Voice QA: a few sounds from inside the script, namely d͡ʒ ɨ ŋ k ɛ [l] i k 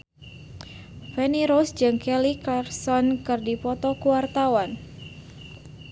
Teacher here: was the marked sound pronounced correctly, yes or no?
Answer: yes